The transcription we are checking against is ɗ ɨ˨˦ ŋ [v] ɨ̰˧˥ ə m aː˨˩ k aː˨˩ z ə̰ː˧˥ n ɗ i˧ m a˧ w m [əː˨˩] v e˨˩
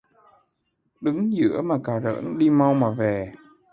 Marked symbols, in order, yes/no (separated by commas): no, no